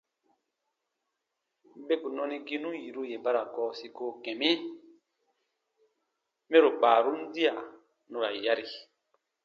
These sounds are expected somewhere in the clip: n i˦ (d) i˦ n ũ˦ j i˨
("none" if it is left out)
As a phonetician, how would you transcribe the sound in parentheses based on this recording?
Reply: ɡ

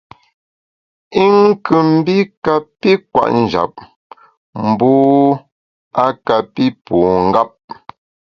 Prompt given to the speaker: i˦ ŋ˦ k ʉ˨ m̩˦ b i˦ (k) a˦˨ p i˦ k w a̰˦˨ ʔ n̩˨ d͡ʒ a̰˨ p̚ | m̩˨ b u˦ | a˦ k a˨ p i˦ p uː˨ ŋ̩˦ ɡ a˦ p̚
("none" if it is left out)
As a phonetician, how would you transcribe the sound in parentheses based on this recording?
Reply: k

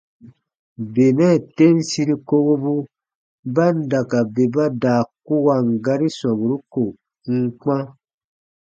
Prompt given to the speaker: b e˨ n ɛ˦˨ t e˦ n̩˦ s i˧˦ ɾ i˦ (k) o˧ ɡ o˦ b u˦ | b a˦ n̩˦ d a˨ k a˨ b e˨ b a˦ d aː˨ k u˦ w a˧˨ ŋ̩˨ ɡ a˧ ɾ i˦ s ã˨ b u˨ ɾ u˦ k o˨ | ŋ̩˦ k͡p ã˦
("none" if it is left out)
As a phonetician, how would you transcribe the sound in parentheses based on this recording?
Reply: k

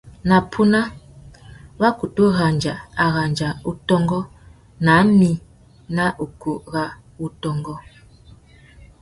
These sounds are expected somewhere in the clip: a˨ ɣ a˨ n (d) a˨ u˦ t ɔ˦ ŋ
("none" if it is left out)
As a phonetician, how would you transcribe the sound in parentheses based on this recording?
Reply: d͡ʒ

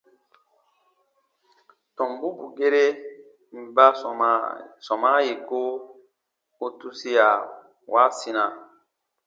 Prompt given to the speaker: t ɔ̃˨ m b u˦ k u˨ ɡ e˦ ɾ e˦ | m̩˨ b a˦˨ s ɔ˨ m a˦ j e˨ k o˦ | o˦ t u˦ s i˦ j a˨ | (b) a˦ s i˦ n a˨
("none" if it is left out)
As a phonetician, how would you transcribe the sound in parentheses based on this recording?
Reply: w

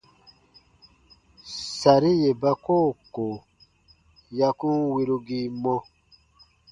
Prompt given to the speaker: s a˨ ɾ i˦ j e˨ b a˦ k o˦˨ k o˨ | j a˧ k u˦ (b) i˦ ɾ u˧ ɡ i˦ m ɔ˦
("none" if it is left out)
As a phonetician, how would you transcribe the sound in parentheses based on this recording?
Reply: w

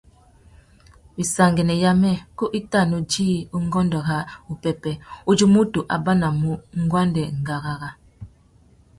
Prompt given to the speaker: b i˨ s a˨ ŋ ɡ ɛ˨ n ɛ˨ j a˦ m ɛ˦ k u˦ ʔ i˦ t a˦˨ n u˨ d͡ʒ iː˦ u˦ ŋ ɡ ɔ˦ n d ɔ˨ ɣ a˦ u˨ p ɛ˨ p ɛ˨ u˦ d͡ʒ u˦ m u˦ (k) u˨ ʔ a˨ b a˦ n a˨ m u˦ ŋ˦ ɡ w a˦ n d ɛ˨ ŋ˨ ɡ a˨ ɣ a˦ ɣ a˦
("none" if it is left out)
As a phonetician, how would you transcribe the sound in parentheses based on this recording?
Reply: t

